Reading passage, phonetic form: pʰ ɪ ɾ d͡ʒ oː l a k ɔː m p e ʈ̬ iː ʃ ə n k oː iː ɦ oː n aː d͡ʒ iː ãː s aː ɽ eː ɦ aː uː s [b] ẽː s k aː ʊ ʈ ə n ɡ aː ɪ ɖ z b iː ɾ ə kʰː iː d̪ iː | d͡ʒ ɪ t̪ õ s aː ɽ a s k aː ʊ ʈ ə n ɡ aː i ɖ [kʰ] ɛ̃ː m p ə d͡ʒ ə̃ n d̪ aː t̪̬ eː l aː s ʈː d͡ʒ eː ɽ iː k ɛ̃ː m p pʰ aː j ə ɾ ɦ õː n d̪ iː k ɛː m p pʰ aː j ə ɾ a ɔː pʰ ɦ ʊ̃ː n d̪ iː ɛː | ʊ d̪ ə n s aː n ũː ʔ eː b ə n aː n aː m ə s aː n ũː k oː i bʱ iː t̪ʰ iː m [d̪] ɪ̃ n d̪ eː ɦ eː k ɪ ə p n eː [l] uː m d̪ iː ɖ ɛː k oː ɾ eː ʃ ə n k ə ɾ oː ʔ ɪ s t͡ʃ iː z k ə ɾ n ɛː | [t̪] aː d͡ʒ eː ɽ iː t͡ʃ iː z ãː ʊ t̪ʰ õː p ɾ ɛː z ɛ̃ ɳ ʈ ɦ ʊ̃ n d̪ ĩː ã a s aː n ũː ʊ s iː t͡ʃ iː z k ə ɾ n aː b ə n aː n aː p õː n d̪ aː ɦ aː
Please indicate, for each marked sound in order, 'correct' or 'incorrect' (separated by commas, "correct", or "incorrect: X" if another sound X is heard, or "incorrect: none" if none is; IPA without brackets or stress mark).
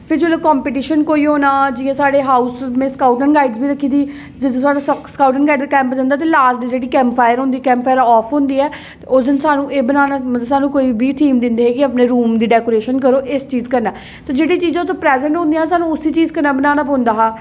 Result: incorrect: m, incorrect: k, correct, incorrect: ɾ, correct